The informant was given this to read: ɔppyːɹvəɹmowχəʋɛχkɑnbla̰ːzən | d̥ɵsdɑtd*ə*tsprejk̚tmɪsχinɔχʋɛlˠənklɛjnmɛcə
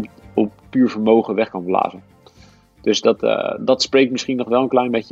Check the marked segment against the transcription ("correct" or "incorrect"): incorrect